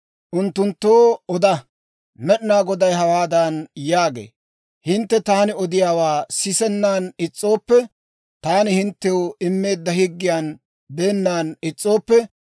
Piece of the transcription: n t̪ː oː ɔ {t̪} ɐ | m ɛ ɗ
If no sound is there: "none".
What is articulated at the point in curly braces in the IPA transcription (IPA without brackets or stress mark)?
d̪